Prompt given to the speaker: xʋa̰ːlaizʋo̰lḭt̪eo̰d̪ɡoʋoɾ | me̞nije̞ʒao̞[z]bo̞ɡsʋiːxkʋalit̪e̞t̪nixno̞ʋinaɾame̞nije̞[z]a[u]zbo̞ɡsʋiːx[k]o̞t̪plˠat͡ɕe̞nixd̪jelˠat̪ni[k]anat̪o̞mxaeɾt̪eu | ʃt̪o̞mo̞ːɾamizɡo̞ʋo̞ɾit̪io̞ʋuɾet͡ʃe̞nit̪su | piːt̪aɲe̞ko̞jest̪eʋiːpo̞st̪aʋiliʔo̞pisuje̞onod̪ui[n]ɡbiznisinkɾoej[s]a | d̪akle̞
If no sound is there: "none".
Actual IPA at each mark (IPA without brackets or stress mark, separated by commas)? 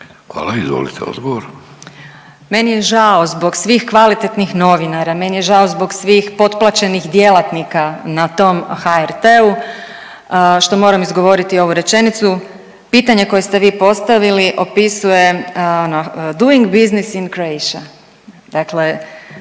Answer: z, ʒ, o, p, k, ŋ, ʃ